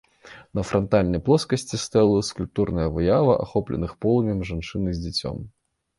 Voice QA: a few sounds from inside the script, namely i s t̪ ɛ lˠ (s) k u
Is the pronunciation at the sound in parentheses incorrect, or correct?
correct